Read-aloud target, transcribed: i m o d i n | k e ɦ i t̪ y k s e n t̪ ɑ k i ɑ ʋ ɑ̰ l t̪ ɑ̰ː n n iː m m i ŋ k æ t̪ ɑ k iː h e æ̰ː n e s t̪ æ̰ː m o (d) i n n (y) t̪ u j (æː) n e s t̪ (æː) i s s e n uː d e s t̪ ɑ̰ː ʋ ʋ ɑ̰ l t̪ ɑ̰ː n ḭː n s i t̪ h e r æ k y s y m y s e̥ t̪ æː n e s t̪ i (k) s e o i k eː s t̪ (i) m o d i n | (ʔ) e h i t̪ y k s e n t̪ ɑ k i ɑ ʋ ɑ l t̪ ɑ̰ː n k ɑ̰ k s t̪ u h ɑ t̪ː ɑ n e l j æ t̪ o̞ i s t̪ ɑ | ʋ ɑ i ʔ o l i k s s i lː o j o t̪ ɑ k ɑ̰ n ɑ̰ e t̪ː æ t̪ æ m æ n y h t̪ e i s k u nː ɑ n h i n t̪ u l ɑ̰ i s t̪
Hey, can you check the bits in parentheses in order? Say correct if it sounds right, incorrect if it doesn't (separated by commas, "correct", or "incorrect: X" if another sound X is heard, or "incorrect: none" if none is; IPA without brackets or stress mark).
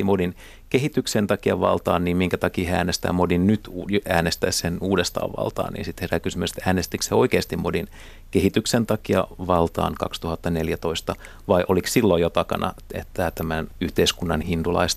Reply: correct, correct, correct, incorrect: æ, correct, correct, incorrect: k